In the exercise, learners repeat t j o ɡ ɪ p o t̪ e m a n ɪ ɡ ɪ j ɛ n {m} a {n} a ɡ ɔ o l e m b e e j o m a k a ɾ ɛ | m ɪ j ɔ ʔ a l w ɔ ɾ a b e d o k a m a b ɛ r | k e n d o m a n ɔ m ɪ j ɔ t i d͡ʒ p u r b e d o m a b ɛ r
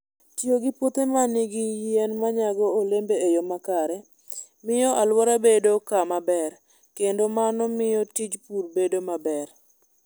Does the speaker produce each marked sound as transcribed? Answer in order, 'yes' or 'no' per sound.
yes, no

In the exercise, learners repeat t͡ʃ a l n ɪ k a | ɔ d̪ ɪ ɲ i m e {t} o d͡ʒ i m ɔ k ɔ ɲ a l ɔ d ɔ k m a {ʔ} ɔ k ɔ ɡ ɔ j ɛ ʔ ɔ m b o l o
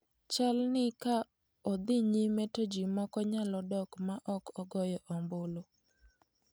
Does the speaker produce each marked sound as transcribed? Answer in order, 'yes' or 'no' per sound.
yes, yes

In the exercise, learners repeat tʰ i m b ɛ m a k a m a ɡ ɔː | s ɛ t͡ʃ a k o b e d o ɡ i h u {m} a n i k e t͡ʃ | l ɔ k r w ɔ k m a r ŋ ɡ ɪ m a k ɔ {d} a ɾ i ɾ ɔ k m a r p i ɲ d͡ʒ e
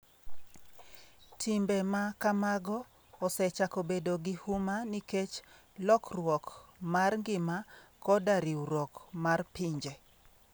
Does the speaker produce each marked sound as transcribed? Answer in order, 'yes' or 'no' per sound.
yes, yes

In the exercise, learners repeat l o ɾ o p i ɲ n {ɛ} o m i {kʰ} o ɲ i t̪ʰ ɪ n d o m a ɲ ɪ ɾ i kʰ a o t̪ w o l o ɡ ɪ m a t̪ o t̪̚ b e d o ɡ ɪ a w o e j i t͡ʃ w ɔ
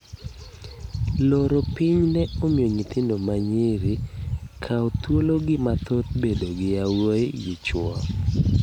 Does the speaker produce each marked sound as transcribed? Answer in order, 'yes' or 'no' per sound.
yes, no

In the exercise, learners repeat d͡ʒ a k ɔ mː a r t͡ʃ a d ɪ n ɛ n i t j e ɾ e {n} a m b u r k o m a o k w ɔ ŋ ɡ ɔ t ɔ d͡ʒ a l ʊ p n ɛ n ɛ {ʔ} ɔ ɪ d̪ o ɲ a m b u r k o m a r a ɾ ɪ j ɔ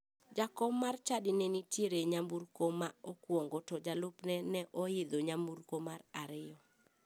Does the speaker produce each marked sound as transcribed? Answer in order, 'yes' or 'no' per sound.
no, yes

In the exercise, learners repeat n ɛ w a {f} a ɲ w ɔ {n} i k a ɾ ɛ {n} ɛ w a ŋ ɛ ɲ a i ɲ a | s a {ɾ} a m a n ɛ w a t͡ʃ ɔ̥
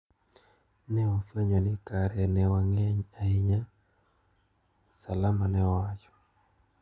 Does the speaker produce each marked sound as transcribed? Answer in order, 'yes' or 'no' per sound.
yes, yes, yes, no

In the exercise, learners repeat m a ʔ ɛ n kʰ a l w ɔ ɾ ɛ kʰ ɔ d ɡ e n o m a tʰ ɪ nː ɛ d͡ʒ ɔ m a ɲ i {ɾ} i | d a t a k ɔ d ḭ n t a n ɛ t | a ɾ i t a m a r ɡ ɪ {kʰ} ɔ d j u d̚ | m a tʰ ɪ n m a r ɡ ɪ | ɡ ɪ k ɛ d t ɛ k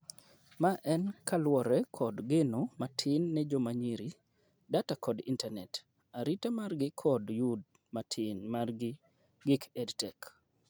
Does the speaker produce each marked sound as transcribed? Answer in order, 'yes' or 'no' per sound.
yes, yes

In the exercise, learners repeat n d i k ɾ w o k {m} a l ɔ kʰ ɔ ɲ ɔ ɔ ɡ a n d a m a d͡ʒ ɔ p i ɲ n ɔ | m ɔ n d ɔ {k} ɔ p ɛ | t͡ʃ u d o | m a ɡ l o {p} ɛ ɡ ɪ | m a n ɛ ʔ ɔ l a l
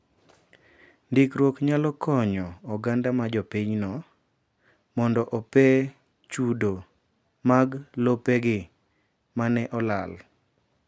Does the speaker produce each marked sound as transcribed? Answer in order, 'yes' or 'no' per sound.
no, no, yes

